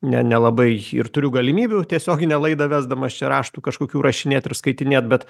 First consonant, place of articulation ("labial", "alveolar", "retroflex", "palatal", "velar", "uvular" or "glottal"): alveolar